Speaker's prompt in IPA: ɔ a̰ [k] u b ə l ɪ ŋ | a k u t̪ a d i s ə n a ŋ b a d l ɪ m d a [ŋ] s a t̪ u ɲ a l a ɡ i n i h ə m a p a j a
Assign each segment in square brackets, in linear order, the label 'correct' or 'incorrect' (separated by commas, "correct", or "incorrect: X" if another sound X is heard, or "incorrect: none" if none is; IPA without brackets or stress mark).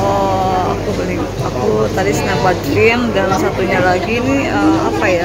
correct, incorrect: n